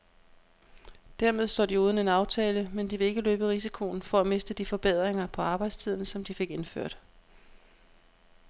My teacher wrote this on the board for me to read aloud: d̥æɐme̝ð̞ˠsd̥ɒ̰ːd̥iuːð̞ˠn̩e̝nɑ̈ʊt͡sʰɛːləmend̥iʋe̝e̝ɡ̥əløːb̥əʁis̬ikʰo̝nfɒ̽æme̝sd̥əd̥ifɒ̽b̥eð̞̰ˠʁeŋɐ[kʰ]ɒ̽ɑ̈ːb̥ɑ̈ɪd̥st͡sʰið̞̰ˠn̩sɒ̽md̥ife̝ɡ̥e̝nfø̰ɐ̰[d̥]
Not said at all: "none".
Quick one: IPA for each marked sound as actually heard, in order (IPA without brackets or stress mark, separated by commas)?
pʰ, d̥